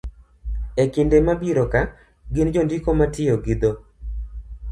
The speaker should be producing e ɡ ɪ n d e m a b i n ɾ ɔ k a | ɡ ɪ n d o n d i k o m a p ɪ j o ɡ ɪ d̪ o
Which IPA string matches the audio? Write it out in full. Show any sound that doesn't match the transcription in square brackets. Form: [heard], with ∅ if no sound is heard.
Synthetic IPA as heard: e [k] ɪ n d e m a b i [∅] ɾ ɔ k a | ɡ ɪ n [d͡ʒ] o n d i k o m a [t] ɪ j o ɡ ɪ d̪ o